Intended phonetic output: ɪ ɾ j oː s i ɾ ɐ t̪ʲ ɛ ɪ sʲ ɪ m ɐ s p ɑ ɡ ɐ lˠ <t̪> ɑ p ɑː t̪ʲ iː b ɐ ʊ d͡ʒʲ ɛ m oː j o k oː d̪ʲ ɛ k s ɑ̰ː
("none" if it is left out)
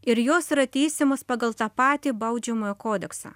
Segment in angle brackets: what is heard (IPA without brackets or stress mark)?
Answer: t̪